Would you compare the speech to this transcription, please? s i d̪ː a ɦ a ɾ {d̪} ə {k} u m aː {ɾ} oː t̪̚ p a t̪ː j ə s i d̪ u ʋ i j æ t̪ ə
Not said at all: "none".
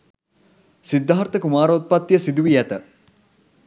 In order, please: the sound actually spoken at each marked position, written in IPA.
t̪, k, ɾ

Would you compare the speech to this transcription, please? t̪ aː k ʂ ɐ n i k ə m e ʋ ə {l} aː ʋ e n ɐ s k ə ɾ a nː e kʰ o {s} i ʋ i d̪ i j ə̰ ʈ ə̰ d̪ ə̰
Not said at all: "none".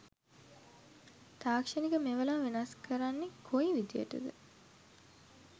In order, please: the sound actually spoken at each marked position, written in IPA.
l, none

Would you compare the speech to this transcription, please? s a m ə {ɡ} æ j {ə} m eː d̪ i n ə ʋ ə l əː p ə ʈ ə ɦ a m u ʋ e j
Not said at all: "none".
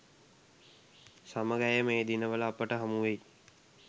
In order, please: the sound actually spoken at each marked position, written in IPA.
ɡ, ə

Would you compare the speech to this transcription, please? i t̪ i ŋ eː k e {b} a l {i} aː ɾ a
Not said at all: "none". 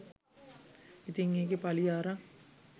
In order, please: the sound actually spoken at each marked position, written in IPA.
p, i

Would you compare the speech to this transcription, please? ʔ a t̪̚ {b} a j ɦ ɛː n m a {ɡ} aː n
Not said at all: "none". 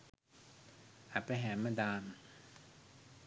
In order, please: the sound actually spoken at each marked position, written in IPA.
p, d

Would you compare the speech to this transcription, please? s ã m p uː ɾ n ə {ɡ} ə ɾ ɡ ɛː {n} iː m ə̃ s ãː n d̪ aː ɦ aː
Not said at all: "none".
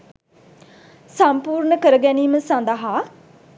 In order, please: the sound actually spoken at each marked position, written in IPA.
k, n

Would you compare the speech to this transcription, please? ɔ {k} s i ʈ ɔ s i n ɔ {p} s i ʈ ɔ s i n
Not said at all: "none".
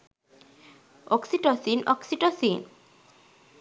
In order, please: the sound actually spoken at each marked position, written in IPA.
k, k

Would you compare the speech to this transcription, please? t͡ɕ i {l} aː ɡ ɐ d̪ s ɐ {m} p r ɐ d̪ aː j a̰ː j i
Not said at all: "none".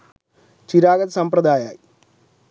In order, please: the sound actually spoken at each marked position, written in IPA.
ɾ, m

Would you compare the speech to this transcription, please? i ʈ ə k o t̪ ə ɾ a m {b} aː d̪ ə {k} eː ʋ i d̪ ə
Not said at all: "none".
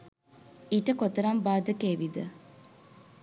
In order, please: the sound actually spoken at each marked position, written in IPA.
b, k

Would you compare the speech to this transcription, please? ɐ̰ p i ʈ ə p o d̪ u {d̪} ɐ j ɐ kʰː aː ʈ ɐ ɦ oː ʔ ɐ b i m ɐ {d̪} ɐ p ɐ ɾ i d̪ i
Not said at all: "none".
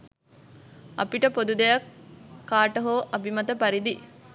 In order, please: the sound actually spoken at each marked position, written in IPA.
d̪, t̪

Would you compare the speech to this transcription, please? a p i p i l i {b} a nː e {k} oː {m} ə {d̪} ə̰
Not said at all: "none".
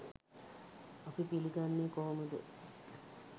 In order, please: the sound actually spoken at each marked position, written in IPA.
ɡ, k, m, d̪

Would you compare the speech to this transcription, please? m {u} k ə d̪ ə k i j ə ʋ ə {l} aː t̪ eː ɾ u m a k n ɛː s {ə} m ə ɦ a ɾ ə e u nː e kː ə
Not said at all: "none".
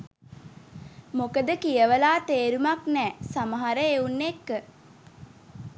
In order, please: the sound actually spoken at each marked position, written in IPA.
o, l, a

